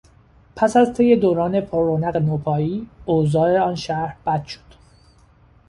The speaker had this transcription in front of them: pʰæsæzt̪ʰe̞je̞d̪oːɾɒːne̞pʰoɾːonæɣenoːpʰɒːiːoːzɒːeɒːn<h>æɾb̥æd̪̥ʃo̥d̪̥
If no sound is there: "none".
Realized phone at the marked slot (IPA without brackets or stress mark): ʃ